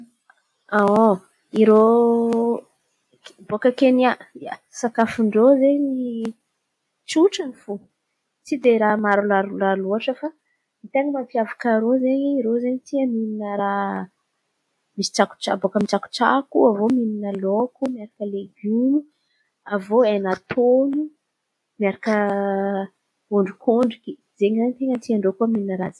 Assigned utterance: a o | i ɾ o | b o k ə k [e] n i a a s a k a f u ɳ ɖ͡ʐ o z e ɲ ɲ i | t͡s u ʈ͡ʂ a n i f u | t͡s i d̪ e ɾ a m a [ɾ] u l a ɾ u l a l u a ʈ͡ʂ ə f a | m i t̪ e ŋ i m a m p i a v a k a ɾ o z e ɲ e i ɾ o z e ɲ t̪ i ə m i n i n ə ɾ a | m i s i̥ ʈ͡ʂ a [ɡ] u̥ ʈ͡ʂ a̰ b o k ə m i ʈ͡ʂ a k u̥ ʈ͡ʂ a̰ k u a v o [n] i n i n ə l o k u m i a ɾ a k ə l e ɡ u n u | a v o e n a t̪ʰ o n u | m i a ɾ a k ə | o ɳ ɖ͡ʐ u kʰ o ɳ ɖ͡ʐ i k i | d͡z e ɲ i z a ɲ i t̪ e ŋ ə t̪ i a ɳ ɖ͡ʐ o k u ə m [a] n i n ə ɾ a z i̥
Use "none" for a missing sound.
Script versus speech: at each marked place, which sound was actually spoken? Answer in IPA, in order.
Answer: e, ɾ, k, m, i

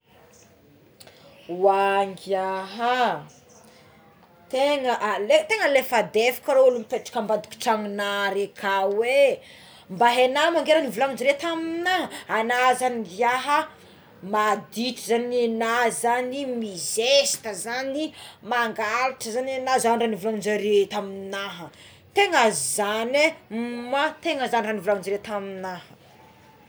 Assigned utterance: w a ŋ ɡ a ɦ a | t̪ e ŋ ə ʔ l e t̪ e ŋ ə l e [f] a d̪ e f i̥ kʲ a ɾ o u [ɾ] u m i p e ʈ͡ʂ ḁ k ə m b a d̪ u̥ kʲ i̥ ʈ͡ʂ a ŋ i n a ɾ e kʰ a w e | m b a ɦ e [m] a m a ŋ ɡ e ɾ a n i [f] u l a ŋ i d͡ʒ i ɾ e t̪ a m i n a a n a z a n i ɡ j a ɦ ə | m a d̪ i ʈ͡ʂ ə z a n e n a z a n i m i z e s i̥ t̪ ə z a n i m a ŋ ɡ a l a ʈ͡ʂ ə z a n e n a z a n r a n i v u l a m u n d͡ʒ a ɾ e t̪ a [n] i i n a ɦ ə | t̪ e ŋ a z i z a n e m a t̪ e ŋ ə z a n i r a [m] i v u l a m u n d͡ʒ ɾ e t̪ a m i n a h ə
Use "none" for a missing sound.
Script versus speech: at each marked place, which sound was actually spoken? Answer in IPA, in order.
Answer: f, l, n, v, m, n

